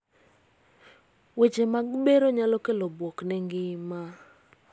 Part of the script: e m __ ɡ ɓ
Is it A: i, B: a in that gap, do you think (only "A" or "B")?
B